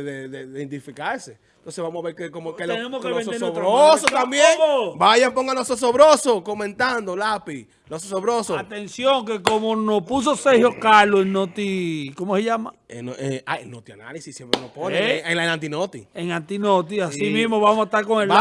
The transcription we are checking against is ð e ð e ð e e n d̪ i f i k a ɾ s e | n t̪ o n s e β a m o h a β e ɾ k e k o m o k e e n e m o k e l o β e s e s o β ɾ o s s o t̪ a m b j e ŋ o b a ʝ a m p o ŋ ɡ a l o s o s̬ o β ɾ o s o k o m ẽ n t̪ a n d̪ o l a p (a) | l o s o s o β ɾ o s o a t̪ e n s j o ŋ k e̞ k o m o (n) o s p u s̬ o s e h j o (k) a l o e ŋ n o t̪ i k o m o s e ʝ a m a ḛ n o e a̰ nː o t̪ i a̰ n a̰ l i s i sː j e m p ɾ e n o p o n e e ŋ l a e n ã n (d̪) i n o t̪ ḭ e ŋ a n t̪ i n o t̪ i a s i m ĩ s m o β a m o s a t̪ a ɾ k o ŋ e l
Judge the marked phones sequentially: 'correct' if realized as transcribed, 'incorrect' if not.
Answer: incorrect: i, correct, correct, incorrect: t̪

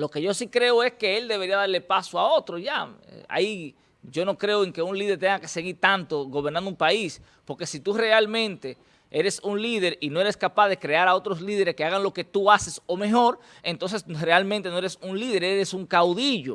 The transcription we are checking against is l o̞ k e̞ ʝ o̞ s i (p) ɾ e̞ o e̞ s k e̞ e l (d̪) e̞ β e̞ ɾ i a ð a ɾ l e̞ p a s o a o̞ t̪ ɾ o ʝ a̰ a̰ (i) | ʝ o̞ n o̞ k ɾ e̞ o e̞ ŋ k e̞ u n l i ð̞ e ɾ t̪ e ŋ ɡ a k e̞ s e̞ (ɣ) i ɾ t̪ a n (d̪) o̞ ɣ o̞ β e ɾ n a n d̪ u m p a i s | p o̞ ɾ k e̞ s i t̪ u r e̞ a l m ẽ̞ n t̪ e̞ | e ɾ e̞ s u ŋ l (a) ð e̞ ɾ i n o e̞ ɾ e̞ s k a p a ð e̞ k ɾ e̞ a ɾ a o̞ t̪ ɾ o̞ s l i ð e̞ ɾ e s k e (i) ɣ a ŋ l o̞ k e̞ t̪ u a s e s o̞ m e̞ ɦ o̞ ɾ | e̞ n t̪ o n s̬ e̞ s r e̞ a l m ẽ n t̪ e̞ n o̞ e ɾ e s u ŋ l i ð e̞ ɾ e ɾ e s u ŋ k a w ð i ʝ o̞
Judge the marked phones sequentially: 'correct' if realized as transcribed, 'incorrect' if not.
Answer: incorrect: k, correct, correct, correct, incorrect: t̪, incorrect: i, incorrect: a

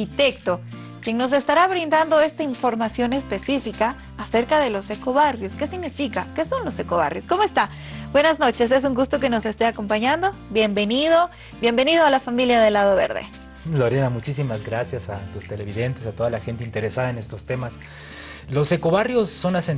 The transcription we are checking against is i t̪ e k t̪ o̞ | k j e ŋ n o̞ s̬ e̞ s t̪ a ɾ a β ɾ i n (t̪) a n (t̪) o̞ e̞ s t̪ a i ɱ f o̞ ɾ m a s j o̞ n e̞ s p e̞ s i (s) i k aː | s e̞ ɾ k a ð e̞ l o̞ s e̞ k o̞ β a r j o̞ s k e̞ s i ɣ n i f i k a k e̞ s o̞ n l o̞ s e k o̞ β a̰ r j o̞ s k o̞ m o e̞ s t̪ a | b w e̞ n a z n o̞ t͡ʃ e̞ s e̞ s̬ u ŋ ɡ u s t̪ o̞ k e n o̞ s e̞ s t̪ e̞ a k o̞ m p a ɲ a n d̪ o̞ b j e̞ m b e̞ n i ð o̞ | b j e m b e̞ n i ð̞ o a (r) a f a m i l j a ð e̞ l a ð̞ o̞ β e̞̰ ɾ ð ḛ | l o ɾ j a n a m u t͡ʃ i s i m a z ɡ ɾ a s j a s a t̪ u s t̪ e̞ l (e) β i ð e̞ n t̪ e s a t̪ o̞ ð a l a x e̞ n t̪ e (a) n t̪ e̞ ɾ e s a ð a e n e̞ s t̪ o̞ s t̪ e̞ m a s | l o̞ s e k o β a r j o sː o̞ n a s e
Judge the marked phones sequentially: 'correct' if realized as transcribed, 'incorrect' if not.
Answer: incorrect: d̪, incorrect: d̪, incorrect: f, incorrect: l, correct, incorrect: i

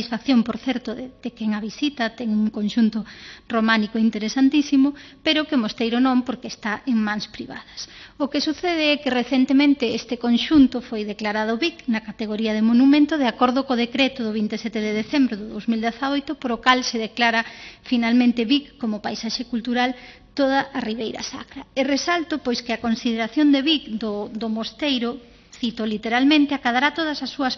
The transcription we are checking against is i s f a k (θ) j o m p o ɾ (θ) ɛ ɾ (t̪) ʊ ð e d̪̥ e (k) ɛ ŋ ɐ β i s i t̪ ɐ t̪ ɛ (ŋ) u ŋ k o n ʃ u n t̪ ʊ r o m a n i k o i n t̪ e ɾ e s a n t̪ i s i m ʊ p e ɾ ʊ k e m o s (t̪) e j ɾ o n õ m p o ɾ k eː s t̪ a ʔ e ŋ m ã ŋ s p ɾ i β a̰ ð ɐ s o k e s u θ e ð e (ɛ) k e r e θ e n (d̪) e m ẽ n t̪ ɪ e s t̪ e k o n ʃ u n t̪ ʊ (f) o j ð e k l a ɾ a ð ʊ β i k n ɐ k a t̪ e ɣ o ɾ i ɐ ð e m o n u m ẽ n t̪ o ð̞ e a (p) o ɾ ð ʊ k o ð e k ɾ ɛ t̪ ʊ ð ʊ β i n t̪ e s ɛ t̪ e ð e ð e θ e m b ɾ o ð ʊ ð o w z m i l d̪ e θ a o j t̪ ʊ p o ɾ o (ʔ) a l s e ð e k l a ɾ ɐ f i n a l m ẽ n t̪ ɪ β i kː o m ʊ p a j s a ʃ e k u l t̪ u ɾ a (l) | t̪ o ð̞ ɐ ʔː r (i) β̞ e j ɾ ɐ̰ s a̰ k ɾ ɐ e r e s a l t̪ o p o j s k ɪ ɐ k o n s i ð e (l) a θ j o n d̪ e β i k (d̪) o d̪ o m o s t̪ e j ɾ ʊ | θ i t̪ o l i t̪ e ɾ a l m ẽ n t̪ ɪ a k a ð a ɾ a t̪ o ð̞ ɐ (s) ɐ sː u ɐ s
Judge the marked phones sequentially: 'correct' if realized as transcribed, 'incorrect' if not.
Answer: correct, correct, correct, correct, correct, correct, correct, incorrect: t̪, correct, incorrect: k, incorrect: k, correct, correct, incorrect: ɾ, correct, correct

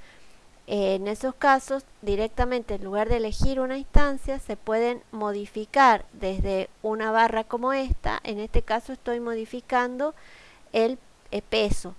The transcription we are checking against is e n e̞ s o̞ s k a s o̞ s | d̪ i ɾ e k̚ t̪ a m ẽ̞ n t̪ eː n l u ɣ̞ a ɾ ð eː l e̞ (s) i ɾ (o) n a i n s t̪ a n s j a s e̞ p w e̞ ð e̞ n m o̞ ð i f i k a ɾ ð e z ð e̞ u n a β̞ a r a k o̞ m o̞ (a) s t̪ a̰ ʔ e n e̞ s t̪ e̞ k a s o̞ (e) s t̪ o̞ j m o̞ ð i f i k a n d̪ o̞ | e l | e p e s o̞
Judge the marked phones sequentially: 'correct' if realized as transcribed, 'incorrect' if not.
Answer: incorrect: x, incorrect: u, incorrect: e, correct

